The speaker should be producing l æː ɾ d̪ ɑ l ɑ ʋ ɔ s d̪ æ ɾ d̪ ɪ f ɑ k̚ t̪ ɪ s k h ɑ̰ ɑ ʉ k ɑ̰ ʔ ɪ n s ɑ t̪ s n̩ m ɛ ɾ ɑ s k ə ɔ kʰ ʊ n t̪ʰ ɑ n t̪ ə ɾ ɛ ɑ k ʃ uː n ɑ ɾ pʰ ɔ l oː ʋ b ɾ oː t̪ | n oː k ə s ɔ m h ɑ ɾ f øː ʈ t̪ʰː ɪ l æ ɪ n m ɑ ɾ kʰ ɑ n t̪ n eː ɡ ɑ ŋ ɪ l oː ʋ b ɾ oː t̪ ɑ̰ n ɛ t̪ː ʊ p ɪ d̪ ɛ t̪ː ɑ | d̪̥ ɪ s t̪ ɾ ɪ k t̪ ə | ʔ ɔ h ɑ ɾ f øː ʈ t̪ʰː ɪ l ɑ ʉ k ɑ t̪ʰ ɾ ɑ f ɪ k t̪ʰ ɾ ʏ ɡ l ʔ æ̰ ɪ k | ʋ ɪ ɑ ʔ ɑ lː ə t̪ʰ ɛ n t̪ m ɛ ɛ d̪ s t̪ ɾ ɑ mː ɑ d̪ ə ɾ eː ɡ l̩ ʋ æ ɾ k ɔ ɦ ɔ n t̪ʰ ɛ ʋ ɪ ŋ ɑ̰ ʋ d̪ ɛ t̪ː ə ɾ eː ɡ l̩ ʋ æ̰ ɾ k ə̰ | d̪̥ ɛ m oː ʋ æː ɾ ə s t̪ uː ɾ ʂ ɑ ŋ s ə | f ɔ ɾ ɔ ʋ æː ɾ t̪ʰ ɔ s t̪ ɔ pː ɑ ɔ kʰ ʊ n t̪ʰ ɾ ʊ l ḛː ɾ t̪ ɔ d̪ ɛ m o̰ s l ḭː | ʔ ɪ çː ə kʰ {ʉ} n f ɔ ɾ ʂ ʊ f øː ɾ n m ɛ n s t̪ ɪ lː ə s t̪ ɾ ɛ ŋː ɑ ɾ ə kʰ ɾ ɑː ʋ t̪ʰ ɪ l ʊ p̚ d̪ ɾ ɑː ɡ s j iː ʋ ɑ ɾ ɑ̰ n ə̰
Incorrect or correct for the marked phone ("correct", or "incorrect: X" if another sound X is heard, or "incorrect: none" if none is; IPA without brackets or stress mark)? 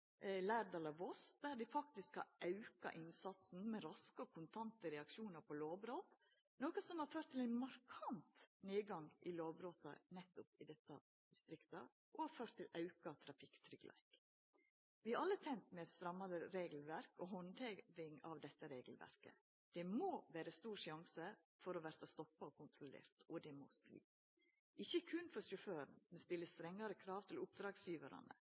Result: correct